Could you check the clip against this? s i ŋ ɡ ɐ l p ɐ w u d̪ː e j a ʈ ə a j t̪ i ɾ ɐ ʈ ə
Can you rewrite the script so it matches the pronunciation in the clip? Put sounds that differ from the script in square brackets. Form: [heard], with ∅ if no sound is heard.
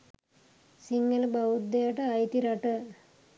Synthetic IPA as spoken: s i ŋ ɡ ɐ l [b] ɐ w u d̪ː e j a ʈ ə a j t̪ i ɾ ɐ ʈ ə